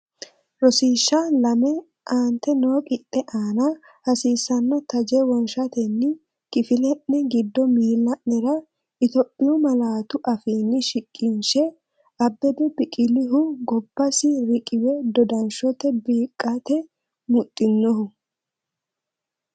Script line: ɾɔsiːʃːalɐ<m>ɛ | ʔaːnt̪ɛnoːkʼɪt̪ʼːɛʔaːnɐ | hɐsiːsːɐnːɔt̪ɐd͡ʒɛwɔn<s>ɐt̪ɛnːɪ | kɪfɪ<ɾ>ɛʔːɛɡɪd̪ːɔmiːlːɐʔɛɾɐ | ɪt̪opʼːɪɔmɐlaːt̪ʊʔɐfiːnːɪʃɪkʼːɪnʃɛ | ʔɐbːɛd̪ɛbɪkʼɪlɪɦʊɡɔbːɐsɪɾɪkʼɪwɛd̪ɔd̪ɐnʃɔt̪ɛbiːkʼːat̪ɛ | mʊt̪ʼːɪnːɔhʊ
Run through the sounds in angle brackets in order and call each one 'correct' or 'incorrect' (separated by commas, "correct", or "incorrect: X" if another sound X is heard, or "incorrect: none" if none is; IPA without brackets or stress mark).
correct, incorrect: ʃ, incorrect: l